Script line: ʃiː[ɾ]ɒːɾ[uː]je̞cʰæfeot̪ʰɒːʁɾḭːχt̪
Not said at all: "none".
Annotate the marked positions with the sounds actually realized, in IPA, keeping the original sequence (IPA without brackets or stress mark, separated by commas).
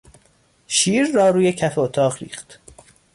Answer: ɾː, uː